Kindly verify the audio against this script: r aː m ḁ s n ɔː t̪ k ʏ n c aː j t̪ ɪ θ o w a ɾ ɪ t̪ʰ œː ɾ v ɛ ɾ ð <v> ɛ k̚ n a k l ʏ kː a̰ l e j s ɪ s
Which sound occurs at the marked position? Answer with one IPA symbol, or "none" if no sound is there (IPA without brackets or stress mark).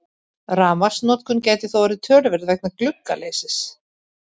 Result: v